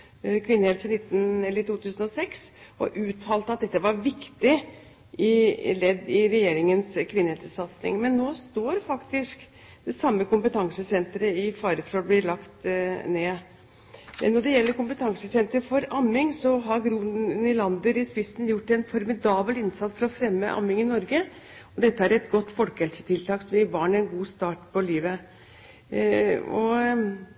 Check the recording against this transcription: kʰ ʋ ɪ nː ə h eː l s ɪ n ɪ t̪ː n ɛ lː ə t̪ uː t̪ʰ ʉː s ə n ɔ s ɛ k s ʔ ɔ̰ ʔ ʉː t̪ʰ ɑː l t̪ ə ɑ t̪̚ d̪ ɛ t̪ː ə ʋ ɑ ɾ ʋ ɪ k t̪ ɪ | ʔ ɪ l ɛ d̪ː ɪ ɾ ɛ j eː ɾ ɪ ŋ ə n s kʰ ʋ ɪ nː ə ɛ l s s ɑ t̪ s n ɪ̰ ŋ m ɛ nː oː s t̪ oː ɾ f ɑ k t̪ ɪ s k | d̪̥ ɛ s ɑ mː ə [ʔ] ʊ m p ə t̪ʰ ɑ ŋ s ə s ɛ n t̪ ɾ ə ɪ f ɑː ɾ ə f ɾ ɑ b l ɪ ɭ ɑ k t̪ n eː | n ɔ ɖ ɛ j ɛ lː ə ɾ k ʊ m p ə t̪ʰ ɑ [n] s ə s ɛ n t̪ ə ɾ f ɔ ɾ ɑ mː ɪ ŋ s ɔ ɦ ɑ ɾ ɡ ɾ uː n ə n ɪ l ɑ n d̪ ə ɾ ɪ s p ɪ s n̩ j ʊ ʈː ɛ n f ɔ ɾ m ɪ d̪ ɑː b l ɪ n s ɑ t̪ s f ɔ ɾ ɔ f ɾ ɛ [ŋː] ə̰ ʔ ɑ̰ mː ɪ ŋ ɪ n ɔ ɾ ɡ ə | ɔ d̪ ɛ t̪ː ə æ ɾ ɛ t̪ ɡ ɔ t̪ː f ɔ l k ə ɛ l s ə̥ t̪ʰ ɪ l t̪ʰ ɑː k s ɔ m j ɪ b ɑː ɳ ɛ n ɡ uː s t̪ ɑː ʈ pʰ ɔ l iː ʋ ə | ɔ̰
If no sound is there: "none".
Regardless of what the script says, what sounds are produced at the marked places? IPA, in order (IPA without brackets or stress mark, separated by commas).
k, ŋ, mː